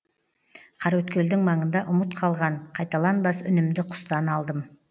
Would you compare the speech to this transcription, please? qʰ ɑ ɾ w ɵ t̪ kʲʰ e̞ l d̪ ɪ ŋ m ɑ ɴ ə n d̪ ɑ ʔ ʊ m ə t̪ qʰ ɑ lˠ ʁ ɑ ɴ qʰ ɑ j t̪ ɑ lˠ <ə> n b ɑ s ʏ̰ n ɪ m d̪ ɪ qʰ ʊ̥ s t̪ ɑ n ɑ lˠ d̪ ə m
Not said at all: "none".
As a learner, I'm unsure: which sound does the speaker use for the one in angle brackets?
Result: ɑ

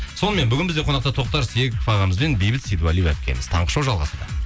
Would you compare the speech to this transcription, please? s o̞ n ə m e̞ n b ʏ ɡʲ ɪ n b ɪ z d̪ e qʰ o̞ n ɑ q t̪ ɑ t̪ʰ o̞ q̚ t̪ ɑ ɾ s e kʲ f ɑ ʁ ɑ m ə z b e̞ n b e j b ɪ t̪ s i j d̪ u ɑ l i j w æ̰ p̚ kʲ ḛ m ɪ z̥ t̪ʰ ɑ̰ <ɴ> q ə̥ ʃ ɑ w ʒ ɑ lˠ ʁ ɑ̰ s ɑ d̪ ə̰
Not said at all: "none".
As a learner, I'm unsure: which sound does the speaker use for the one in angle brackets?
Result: ɴ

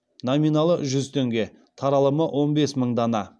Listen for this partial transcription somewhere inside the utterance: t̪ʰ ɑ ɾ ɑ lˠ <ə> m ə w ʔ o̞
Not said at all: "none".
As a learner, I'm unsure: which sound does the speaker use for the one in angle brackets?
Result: ə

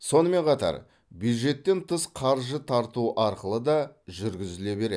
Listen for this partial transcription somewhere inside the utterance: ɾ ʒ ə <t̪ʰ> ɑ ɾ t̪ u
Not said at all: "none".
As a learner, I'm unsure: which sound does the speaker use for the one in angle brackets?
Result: t̪ʰ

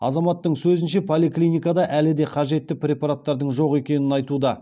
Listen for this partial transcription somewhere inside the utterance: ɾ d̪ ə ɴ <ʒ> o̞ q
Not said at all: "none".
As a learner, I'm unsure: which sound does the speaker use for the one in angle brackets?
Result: ʒ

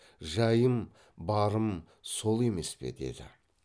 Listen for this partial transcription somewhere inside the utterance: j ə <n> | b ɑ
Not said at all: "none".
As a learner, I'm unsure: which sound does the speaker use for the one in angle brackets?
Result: m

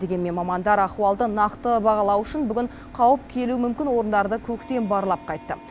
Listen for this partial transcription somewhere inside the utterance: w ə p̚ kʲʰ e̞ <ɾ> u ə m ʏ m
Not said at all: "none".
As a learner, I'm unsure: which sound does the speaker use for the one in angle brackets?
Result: l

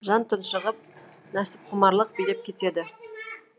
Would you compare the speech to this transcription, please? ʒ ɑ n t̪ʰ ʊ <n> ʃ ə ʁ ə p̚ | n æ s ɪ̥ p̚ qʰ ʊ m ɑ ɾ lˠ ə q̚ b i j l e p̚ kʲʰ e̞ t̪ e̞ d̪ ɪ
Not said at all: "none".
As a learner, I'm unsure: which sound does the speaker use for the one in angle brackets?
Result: n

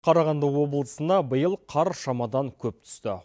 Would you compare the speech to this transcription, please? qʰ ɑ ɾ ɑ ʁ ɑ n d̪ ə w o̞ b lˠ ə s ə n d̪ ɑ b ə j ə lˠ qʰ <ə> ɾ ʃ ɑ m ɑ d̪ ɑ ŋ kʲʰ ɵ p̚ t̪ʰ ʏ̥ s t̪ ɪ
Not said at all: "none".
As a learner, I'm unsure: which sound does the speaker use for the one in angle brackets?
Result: ɑ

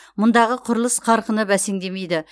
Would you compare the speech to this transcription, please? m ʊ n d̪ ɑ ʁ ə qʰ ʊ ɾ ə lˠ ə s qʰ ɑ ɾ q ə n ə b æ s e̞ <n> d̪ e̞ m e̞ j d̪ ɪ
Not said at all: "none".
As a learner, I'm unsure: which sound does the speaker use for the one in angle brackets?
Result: ŋ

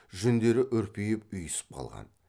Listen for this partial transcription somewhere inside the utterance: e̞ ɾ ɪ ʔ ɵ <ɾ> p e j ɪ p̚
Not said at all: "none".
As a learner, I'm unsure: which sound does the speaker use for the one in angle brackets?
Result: ɾ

